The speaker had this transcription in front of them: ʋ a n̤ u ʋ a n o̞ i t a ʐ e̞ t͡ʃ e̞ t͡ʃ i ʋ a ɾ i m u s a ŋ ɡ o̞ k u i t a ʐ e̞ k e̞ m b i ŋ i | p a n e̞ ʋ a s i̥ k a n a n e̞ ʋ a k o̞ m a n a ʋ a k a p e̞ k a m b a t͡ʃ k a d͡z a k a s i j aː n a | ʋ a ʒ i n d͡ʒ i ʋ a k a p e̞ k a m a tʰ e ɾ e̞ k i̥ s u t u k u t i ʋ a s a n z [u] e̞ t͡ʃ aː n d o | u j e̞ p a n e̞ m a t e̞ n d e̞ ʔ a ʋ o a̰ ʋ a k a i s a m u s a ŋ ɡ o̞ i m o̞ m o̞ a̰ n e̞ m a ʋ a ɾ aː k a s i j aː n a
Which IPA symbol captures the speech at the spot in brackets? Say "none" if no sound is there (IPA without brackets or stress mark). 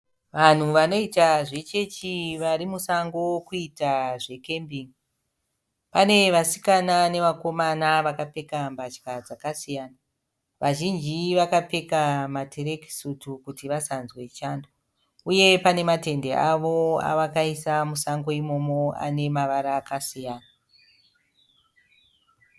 w